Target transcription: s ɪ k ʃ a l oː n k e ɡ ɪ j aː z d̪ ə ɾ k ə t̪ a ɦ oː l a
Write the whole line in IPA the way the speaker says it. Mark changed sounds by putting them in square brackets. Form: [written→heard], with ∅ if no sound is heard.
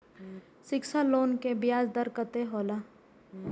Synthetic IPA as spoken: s ɪ k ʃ a l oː n k e [ɡ→b] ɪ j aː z d̪ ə ɾ k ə t̪ [a→e] ɦ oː l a